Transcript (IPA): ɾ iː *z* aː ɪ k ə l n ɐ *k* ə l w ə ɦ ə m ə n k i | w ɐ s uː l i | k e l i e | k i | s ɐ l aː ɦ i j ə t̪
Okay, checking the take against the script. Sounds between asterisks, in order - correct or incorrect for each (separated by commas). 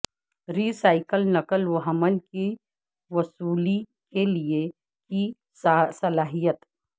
incorrect, correct